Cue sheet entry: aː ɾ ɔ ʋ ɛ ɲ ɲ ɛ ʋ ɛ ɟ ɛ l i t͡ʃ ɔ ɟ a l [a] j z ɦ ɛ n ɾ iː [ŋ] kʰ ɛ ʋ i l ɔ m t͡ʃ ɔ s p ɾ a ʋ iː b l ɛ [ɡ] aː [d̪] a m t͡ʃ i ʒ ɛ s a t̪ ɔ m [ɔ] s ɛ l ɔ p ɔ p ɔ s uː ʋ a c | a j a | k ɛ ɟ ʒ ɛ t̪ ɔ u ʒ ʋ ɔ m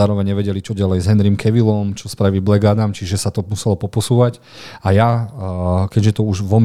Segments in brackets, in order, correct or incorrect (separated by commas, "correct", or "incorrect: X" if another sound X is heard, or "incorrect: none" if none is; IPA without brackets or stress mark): incorrect: ɛ, incorrect: m, correct, correct, incorrect: u